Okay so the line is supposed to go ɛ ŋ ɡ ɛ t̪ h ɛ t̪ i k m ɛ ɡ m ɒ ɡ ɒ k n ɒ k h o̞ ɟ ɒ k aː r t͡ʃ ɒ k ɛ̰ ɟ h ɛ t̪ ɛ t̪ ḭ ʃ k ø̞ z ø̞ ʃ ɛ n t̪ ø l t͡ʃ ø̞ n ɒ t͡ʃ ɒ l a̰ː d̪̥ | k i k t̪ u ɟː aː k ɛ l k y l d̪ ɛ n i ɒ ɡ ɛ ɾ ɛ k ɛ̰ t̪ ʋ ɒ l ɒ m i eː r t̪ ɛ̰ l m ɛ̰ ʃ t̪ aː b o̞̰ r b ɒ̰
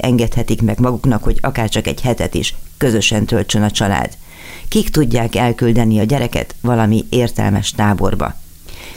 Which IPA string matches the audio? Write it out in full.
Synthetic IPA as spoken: ɛ ŋ ɡ ɛ t̪ h ɛ t̪ i k m ɛ ɡ m ɒ ɡ u k n ɒ k h o̞ ɟ ɒ k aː r t͡ʃ ɒ k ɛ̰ ɟ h ɛ t̪ ɛ t̪ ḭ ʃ k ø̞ z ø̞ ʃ ɛ n t̪ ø l t͡ʃ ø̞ n ɒ t͡ʃ ɒ l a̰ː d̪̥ | k i k t̪ u ɟː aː k ɛ l k y l d̪ ɛ n i ɒ ɟ ɛ ɾ ɛ k ɛ̰ t̪ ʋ ɒ l ɒ m i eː r t̪ ɛ̰ l m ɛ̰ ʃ t̪ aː b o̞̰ r b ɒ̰